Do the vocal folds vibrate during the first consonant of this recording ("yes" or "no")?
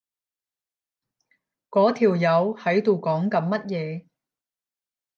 no